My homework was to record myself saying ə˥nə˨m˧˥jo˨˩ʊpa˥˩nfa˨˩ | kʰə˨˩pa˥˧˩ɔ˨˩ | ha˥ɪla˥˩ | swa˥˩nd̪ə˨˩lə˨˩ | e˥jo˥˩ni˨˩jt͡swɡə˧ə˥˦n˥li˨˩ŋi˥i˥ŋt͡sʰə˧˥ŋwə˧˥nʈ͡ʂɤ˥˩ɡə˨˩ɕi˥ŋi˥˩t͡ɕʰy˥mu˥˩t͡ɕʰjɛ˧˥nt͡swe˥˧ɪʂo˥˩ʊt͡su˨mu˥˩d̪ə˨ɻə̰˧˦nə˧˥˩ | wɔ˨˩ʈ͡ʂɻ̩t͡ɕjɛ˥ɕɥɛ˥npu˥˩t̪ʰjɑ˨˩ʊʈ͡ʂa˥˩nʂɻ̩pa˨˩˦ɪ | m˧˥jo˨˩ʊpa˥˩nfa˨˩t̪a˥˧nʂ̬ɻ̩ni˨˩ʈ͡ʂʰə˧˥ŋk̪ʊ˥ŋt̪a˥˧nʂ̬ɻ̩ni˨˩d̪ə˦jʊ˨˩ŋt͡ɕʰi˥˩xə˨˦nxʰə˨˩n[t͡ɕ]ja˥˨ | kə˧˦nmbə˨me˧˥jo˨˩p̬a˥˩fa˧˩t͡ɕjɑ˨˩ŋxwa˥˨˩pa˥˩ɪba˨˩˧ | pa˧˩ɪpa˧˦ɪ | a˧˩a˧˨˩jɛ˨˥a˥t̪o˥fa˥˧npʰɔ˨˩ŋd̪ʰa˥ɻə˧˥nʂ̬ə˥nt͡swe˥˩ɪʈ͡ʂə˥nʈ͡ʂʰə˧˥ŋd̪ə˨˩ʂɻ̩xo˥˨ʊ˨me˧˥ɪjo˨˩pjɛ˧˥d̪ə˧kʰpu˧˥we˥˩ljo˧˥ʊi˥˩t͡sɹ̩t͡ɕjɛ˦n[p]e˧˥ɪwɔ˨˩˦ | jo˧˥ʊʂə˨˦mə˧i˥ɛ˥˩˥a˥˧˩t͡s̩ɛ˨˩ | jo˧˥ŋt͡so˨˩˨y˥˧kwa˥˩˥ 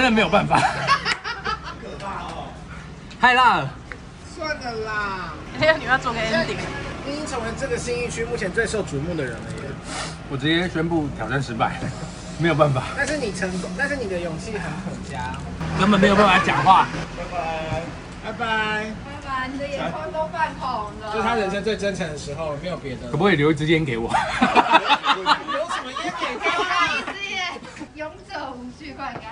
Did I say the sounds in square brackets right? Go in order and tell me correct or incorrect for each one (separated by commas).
correct, incorrect